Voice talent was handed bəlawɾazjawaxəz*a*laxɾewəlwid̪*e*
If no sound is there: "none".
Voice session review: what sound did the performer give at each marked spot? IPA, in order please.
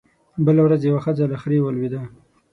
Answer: a, a

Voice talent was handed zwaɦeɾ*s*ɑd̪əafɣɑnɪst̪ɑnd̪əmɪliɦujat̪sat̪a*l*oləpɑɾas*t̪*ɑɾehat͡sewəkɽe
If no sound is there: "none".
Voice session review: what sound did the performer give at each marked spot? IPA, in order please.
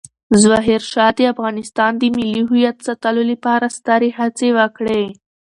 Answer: ʃ, l, t̪

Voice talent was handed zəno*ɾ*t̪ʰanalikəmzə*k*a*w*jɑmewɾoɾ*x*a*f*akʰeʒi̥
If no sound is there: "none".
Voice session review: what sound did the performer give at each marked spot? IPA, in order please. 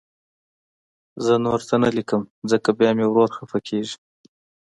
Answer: ɾ, k, b, x, f

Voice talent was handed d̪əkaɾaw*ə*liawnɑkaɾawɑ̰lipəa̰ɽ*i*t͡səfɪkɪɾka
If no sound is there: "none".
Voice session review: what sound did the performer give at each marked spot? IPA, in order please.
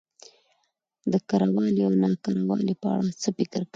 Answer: ɑ, a

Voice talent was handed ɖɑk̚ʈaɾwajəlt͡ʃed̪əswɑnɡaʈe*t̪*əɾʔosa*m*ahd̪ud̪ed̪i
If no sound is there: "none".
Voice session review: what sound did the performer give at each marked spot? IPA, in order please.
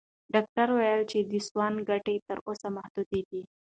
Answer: t̪, m

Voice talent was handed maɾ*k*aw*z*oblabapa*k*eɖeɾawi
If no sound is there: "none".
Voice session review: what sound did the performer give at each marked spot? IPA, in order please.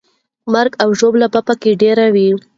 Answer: ɡ, ʒ, k

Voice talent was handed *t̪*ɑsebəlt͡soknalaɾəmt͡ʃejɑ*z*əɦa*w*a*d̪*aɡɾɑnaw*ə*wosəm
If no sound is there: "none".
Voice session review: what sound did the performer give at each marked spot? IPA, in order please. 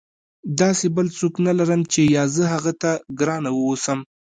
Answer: d̪, z, ɣ, t̪, ə

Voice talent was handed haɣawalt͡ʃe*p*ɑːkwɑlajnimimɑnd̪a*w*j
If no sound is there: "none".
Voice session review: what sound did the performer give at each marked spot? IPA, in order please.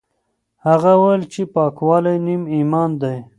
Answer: p, none

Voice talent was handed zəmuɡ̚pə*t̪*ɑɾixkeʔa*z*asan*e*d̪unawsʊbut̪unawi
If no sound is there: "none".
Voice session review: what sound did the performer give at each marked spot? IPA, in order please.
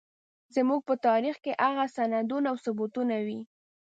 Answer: t̪, ɣ, a

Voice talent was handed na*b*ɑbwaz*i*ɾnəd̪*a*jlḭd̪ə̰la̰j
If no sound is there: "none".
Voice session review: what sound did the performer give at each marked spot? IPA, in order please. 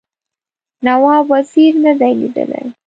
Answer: w, i, a

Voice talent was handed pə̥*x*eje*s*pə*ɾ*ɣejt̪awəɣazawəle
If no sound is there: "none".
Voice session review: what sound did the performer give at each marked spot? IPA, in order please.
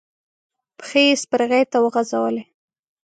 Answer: x, s, ɾ

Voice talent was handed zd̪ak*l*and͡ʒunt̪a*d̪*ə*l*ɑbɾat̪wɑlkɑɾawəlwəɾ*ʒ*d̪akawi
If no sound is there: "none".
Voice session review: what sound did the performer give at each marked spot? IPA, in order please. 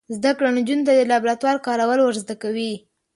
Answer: ɽ, d̪, l, z

